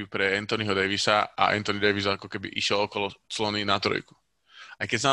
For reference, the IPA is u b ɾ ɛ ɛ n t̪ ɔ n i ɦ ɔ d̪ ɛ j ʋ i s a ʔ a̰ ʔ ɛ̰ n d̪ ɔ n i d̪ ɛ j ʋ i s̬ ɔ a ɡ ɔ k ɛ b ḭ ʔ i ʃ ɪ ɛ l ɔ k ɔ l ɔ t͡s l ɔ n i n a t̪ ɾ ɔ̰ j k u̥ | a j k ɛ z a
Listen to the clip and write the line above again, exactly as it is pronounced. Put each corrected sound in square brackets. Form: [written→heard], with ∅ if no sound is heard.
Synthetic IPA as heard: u [b→p] ɾ ɛ ɛ n t̪ ɔ n i ɦ ɔ d̪ ɛ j ʋ i s a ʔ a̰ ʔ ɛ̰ n [d̪→t̪] ɔ n i d̪ ɛ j ʋ i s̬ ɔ a [ɡ→k] ɔ k ɛ b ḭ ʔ i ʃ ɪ ɛ l ɔ k ɔ l ɔ t͡s l ɔ n i n a t̪ ɾ ɔ̰ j k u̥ | a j k ɛ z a